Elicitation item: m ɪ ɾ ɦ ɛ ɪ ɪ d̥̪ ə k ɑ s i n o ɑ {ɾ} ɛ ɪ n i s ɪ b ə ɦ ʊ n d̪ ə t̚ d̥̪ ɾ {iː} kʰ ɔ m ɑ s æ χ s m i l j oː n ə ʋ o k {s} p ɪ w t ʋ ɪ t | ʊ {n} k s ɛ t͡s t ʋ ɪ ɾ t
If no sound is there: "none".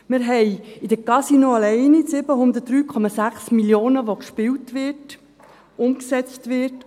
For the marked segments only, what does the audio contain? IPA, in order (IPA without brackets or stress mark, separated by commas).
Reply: l, yː, ʃ, m